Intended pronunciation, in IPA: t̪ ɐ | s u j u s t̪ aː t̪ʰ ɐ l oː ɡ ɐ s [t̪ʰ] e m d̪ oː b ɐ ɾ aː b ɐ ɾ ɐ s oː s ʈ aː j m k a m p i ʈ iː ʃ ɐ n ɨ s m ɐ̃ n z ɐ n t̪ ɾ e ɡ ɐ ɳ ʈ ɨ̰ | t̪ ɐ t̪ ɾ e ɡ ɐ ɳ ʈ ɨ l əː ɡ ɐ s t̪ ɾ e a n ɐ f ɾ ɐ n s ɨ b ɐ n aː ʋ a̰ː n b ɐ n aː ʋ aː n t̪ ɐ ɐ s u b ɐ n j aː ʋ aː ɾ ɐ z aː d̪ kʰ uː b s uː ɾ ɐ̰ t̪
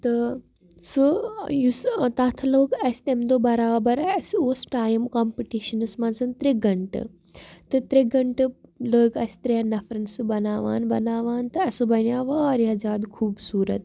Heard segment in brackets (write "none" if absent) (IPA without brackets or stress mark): t̪